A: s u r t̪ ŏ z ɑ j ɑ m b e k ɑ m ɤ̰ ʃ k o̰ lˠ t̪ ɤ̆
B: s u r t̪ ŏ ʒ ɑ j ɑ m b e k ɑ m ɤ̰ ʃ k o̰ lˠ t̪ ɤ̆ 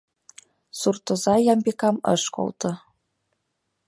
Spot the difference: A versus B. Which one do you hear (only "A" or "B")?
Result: A